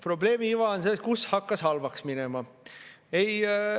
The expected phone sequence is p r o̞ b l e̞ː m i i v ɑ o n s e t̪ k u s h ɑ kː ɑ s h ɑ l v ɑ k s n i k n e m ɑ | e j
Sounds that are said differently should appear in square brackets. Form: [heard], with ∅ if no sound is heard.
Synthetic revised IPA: p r o̞ b l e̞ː m i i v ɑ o n s e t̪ k u s h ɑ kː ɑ s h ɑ l v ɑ k s [m] i [∅] n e m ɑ | e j